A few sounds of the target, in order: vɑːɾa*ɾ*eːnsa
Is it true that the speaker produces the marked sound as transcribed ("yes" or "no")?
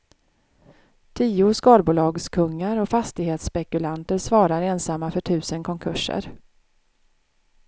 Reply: yes